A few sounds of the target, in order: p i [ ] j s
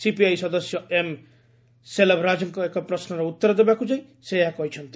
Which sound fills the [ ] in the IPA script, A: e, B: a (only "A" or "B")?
B